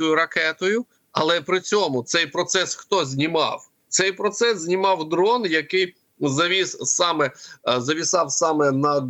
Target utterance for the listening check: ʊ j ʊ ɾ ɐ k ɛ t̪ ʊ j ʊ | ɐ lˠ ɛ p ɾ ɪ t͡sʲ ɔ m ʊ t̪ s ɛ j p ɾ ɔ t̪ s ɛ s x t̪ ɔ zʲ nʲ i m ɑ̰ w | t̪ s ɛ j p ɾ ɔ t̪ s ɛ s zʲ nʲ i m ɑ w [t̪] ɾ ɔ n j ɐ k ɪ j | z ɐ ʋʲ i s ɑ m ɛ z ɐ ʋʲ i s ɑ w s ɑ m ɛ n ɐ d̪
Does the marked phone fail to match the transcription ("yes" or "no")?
yes